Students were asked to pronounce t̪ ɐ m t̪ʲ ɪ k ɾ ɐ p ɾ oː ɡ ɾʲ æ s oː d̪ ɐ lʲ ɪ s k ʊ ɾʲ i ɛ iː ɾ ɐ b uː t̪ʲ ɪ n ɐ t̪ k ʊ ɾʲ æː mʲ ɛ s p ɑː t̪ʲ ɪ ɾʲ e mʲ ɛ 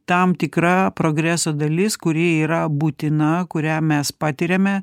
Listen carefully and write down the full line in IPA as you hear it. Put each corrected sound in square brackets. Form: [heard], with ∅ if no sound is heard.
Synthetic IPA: t̪ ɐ m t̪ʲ ɪ k ɾ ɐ p ɾ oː ɡ ɾʲ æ s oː d̪ ɐ lʲ ɪ s k ʊ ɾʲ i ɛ iː ɾ ɐ b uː t̪ʲ ɪ n ɐ [∅] k ʊ ɾʲ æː mʲ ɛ s p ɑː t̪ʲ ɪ ɾʲ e mʲ ɛ